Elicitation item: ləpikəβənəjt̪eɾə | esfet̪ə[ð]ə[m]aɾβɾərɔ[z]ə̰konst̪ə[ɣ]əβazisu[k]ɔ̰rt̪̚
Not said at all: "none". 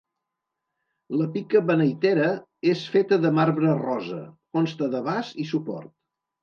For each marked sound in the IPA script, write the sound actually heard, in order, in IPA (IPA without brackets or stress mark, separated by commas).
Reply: ð, m, z, ð, p